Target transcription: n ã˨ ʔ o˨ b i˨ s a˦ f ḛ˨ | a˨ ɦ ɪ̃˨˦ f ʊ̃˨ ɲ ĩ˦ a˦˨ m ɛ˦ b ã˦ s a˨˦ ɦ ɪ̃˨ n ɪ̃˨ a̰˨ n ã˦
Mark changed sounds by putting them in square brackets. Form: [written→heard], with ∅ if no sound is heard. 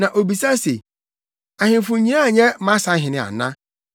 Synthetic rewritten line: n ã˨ ʔ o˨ b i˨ s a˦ [f→s] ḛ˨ | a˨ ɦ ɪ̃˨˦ f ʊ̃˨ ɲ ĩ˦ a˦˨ [m→ɲ] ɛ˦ [b→m] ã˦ s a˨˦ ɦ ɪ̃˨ n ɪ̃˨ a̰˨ n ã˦